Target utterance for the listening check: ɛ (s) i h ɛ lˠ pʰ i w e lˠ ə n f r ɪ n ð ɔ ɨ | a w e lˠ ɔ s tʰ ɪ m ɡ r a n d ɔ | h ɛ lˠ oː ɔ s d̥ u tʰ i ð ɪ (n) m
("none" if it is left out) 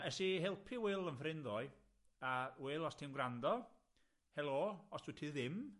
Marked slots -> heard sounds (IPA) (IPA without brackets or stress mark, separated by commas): s, none